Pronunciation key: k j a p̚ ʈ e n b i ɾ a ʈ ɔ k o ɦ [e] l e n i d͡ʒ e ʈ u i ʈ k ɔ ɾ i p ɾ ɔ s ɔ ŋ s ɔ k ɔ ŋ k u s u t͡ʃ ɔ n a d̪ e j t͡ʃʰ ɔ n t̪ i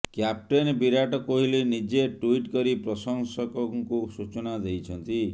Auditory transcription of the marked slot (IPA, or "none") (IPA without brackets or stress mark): i